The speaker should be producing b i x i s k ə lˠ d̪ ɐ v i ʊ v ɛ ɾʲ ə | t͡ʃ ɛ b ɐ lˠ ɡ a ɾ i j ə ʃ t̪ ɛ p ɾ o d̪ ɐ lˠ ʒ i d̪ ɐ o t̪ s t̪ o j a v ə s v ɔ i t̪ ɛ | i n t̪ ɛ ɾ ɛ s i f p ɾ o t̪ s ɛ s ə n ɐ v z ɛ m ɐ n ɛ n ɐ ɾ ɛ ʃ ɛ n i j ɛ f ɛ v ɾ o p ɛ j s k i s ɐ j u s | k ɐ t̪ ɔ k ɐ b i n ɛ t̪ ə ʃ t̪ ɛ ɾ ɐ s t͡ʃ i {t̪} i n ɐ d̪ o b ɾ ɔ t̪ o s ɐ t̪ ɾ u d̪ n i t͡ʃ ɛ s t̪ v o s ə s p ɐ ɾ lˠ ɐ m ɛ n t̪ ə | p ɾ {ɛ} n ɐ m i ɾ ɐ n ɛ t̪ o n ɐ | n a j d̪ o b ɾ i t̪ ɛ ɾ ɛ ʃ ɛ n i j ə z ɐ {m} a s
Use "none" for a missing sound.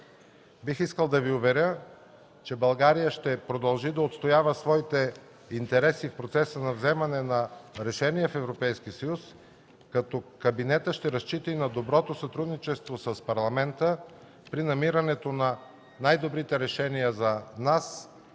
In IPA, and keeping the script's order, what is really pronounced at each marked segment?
t̪, i, n

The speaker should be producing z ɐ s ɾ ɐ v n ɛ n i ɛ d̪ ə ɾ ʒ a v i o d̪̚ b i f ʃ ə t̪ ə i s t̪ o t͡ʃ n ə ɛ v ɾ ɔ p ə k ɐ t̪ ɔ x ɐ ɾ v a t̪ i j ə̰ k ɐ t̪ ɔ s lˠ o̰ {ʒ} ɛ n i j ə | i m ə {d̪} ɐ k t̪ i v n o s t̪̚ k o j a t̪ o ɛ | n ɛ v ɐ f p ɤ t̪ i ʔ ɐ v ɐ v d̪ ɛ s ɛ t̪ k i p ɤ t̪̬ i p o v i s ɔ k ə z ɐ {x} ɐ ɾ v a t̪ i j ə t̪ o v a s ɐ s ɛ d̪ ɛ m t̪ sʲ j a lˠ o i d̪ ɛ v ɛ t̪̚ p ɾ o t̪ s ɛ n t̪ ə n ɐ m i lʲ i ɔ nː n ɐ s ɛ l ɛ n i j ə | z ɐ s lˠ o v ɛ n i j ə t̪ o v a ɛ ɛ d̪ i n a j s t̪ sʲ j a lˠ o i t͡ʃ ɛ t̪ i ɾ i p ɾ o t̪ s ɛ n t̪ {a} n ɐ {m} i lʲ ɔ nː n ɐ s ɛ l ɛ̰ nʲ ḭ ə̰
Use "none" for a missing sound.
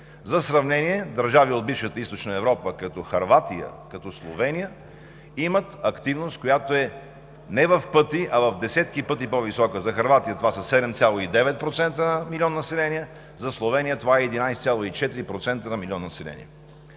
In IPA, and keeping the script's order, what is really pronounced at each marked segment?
v, t̪, x, ə, m

